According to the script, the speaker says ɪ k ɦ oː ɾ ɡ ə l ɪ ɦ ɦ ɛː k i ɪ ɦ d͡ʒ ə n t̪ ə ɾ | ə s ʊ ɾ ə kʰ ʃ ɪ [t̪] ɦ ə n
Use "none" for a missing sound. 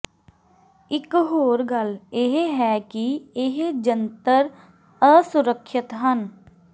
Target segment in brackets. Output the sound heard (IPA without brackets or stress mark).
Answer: t̪